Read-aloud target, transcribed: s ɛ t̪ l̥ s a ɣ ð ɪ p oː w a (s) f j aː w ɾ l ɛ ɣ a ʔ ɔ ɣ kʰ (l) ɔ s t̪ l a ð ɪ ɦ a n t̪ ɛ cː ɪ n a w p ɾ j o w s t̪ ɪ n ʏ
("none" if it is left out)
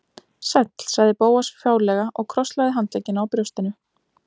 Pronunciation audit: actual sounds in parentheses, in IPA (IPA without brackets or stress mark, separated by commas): s, ɾ